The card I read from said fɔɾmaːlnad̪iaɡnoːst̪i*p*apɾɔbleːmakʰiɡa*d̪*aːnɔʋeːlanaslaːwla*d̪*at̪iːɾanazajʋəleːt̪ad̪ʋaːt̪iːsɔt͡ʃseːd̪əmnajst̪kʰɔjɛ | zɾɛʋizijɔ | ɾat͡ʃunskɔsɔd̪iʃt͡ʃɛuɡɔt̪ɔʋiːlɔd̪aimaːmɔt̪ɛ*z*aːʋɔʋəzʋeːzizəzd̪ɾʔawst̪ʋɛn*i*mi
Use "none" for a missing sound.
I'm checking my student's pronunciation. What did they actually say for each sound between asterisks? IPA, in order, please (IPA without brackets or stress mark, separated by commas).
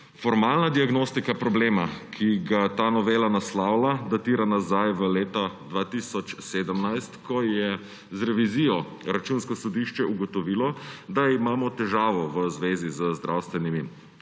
k, t̪, d̪, ʒ, i